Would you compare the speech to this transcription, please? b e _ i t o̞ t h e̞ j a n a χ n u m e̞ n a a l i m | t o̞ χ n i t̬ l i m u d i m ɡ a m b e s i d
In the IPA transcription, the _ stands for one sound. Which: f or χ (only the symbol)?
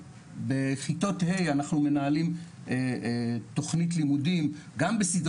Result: χ